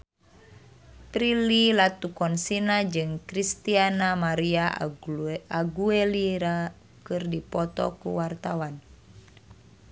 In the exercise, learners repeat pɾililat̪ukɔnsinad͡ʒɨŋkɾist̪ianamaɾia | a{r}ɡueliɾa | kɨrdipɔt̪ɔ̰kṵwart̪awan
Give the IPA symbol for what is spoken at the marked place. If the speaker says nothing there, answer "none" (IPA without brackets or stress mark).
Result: none